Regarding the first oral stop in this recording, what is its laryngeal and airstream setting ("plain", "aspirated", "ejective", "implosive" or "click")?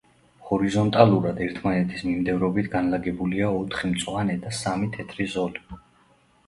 ejective